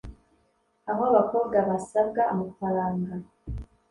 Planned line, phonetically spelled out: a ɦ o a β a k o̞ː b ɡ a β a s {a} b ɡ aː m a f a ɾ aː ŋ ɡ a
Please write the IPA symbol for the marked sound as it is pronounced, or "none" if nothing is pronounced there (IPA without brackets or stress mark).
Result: a